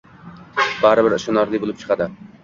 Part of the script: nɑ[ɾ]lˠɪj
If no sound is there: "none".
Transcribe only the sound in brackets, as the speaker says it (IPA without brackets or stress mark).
ɾ